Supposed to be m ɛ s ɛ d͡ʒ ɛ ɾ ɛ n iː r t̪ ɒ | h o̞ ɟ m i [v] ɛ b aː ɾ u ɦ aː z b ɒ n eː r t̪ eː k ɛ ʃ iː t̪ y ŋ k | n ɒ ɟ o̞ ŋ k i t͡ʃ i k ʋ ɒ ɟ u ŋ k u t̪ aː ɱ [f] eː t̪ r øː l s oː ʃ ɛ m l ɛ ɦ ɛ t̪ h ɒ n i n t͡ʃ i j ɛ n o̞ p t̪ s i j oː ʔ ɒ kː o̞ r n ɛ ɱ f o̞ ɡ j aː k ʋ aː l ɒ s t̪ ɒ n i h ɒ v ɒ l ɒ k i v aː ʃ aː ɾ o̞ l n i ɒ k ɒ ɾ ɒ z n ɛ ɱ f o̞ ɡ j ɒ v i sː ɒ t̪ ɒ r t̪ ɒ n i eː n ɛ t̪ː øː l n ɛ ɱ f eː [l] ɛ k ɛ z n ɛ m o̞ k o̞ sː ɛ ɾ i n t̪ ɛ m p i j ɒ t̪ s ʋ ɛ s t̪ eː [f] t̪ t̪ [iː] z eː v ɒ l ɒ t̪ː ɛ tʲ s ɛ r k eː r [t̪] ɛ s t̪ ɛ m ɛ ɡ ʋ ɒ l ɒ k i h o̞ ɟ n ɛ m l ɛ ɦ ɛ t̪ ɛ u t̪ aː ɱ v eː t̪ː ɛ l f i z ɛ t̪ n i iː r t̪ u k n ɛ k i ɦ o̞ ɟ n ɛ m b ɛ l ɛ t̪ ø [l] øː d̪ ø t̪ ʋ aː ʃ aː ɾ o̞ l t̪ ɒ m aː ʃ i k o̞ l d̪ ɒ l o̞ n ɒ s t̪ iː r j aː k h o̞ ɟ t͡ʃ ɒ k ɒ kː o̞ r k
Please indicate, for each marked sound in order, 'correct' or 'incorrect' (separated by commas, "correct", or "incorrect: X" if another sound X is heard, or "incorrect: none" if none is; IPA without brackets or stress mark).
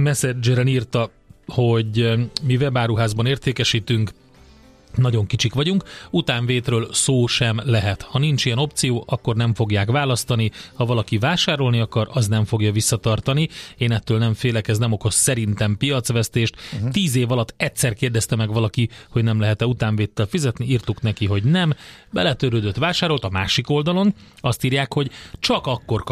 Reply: correct, incorrect: v, correct, incorrect: ʃ, correct, incorrect: d̪, incorrect: ɾ